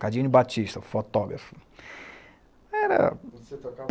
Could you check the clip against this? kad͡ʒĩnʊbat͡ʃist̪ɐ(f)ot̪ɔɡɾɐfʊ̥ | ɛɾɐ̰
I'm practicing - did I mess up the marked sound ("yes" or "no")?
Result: no